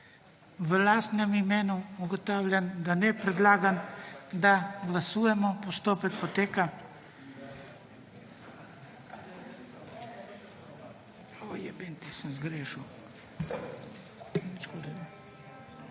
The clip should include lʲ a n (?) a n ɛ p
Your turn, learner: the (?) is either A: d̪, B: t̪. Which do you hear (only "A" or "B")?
A